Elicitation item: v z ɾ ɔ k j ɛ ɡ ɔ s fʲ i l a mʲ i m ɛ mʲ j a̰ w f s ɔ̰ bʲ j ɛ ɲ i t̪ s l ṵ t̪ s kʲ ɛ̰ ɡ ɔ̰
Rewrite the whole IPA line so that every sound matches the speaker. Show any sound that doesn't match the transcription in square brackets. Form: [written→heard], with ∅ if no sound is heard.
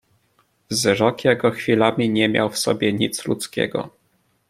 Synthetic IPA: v z ɾ ɔ k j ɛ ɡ ɔ [s→x] fʲ i l a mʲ i [m→ɲ] ɛ mʲ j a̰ w f s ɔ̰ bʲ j ɛ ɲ i t̪ s l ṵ t̪ s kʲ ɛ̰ ɡ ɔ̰